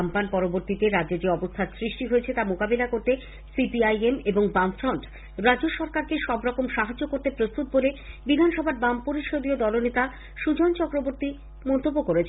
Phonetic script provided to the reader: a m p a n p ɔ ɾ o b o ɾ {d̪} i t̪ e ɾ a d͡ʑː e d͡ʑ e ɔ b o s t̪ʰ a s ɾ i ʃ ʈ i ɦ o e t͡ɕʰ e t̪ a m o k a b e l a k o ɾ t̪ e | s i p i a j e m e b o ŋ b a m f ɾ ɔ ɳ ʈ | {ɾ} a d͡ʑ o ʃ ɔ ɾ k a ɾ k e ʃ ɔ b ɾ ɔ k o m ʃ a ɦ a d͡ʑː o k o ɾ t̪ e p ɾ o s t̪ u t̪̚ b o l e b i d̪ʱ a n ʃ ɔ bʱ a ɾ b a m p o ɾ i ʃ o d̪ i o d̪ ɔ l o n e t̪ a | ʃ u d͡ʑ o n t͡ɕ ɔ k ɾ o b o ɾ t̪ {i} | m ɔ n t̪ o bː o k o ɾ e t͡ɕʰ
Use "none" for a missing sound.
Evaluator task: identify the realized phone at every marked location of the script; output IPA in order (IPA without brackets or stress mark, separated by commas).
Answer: t̪, ɾ, i